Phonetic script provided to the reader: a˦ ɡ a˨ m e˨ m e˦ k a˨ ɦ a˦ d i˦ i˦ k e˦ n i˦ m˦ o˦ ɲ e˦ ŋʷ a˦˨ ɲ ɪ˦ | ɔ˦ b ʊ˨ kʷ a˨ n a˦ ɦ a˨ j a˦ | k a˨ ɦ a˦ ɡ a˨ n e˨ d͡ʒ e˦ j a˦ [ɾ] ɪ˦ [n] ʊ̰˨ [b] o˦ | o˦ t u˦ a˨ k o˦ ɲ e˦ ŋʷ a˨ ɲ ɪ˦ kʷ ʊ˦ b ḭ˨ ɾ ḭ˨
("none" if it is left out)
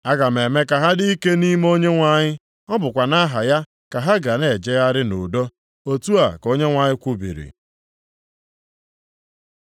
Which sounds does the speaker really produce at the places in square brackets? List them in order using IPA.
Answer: ɾ, n, d

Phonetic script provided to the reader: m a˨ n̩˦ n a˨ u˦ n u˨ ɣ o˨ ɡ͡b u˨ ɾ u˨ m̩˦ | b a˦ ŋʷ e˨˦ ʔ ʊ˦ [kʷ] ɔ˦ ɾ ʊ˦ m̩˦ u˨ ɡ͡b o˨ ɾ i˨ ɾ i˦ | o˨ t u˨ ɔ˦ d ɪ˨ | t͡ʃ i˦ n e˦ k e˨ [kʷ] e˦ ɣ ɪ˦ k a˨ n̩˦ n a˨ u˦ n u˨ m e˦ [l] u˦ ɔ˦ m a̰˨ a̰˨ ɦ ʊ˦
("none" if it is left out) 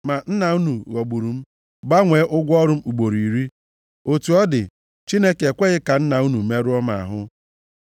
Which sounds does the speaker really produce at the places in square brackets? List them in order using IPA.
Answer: ɡʷ, kʷ, ɾ

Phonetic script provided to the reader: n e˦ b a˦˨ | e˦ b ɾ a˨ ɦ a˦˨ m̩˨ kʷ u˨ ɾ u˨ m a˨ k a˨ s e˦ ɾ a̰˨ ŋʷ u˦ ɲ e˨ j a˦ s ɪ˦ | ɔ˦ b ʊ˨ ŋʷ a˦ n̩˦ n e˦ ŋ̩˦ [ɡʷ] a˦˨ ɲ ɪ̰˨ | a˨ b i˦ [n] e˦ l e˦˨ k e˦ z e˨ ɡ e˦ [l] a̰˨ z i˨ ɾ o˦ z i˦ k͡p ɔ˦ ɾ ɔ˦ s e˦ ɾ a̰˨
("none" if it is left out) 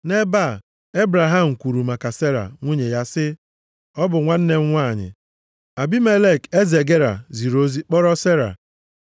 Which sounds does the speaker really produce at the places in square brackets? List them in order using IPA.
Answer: ŋʷ, m, ɾ

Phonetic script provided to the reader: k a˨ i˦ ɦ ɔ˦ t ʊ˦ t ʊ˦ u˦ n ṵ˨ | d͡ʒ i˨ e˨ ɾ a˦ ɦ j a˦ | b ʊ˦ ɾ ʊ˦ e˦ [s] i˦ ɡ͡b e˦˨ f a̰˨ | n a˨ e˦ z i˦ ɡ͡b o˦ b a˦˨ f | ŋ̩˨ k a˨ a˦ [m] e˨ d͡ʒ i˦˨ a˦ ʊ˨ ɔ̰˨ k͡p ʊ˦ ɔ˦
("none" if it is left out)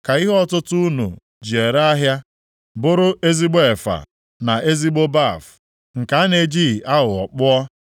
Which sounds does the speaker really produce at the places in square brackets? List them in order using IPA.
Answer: z, n

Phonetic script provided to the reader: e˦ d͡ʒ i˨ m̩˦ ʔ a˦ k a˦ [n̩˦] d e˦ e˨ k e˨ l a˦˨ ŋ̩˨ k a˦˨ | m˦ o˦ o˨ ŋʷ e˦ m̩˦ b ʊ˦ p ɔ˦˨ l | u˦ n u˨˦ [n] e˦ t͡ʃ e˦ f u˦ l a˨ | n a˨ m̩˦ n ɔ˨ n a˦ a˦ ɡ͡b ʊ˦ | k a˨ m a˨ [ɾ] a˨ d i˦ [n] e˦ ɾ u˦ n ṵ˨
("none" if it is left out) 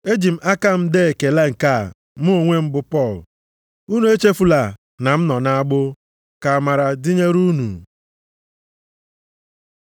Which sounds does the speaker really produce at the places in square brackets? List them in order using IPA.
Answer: m̩˦, none, ɾ, ɲ

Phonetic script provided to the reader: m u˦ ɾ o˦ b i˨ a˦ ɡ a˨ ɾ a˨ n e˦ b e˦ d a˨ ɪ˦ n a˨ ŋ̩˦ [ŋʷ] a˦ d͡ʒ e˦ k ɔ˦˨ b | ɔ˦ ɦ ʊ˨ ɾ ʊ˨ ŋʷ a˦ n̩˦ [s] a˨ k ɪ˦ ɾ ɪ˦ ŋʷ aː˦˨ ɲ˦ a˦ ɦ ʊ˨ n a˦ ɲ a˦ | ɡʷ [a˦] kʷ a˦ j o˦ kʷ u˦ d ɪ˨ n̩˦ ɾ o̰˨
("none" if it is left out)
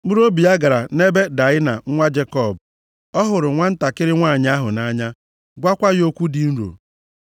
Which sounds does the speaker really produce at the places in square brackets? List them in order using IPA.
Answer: ŋʷ, t, a˦

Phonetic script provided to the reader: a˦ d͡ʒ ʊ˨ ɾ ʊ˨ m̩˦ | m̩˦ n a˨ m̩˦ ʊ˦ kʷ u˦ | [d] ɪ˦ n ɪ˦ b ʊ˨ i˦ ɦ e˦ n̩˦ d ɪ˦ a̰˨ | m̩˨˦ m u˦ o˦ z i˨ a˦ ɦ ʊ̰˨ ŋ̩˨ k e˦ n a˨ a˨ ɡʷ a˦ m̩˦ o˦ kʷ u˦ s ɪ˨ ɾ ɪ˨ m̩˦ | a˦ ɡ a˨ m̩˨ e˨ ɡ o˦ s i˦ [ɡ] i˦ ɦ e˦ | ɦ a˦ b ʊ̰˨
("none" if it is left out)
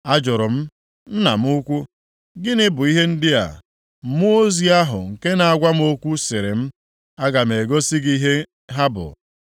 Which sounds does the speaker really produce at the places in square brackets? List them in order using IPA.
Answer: ɡ, ɡ

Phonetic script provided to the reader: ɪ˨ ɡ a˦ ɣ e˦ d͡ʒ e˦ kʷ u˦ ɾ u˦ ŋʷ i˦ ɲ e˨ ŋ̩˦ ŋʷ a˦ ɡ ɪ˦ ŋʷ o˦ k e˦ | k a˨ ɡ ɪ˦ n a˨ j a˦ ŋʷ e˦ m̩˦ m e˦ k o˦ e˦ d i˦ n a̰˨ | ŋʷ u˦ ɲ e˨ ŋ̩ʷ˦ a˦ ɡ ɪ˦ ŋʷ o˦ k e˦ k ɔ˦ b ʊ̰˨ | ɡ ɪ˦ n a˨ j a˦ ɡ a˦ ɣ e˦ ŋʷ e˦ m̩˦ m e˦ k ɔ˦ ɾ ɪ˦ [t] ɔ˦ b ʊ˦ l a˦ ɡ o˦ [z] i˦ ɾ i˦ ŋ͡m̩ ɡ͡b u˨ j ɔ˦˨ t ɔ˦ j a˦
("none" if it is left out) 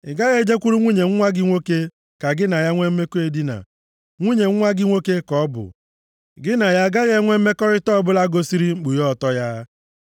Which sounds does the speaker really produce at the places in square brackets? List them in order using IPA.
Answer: t, s

